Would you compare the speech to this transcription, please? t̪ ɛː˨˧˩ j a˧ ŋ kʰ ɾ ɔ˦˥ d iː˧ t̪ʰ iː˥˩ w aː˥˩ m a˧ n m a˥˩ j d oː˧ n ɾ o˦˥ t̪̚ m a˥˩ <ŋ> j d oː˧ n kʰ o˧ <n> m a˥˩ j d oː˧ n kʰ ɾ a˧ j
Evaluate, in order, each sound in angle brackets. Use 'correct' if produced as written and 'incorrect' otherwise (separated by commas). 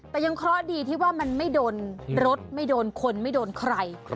incorrect, correct